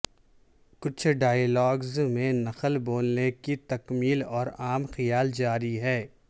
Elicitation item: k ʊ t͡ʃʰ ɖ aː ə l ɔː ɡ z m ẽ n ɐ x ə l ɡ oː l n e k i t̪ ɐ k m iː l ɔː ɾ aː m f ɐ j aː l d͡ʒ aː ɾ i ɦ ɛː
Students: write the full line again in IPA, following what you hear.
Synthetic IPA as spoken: k ʊ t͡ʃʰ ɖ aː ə l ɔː ɡ z m ẽ n ɐ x ə l b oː l n e k i t̪ ɐ k m iː l ɔː ɾ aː m x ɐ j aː l d͡ʒ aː ɾ i ɦ ɛː